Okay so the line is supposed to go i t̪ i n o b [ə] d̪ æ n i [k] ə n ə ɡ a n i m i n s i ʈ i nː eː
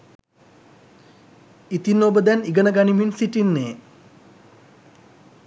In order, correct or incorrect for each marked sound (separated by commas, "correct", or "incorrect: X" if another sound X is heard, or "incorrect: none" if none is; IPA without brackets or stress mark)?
correct, incorrect: ɡ